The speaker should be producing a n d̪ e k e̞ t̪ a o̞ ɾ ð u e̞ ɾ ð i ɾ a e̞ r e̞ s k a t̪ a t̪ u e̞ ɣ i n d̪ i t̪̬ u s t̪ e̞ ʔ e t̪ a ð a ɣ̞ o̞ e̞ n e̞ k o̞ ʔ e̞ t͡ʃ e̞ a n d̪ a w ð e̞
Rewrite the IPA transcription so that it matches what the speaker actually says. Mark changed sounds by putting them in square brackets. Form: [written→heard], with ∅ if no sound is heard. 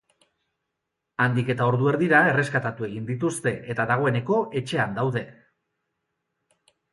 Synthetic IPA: a n d̪ [e→i] k e̞ t̪ a o̞ ɾ ð u e̞ ɾ ð i ɾ a e̞ r e̞ s k a t̪ a t̪ u e̞ ɣ i n d̪ i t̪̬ u s t̪ e̞ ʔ e t̪ a ð a ɣ̞ o̞ e̞ n e̞ k o̞ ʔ e̞ t͡ʃ e̞ a n d̪ a w ð e̞

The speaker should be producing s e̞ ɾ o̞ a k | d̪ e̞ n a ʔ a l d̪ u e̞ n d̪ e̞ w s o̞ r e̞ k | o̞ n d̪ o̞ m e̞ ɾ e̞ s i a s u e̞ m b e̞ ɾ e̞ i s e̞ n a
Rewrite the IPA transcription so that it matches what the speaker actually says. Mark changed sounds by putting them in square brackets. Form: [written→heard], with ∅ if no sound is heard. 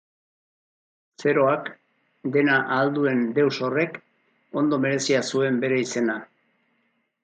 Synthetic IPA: s e̞ ɾ o̞ a k | d̪ e̞ n a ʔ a l d̪ u e̞ n d̪ e̞ w s o̞ r e̞ k | o̞ n d̪ o̞ m e̞ ɾ e̞ s i a s u e̞ m b e̞ ɾ e̞ i s e̞ n a

